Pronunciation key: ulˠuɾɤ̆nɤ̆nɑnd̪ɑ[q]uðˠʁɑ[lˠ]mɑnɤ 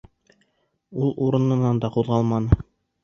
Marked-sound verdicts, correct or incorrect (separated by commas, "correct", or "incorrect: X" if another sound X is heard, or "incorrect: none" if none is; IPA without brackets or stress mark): correct, correct